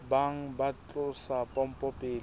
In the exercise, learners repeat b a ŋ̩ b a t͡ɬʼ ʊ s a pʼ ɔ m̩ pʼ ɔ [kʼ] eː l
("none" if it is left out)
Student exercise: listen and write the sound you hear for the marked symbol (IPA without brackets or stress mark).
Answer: pʼ